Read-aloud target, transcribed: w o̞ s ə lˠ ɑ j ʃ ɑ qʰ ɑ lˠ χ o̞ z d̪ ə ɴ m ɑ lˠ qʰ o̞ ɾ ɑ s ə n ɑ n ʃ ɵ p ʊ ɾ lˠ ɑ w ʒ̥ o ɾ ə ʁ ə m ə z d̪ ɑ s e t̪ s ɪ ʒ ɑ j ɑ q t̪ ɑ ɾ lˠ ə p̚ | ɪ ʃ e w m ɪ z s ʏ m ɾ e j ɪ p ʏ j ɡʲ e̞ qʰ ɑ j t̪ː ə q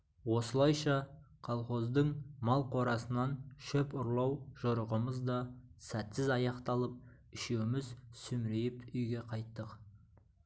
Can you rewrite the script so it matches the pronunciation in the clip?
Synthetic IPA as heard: w o̞ s ə lˠ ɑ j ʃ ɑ qʰ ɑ lˠ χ o̞ z d̪ ə ɴ m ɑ lˠ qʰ o̞ ɾ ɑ s ə n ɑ n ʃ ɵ p ʊ ɾ lˠ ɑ w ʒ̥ o ɾ ə ʁ ə m ə z d̪ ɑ s æ t̪ s ɪ z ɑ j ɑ q t̪ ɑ lˠ ə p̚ | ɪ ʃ e w m ɪ z s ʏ m ɾ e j ɪ p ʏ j ɡʲ e̞ qʰ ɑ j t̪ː ə q